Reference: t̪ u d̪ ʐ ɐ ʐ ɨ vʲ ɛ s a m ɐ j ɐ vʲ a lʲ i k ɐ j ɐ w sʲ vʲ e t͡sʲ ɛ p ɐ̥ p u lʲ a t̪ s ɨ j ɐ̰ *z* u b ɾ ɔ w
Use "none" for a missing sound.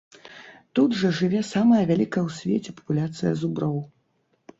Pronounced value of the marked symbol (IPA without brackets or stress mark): z